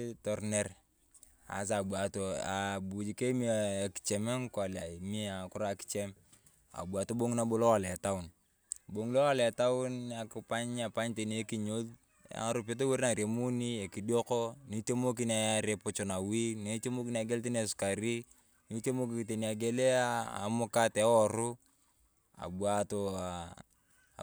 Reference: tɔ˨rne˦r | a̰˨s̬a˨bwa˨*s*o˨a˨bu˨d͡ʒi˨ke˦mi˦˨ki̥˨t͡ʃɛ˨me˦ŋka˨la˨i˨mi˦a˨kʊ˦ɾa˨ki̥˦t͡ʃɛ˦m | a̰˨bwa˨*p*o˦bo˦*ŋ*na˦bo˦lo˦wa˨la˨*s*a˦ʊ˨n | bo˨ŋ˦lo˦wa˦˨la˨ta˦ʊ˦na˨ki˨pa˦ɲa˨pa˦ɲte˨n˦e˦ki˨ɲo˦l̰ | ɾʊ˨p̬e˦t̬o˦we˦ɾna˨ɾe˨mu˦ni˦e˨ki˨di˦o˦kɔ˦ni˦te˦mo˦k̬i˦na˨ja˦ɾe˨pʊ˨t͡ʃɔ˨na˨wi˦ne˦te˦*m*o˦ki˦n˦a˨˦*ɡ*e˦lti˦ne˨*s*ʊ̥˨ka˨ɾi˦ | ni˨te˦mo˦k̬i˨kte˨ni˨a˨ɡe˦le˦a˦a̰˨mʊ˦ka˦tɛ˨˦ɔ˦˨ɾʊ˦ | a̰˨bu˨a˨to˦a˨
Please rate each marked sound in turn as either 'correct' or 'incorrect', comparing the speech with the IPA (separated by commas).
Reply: incorrect, incorrect, correct, incorrect, correct, correct, correct